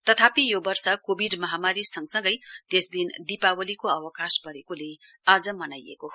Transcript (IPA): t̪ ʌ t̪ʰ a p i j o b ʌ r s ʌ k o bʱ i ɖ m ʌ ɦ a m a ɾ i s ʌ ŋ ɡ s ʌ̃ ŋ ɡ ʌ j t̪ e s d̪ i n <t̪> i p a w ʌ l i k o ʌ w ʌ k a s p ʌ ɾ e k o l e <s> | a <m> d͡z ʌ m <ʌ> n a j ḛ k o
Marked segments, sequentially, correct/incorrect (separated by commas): incorrect, incorrect, incorrect, correct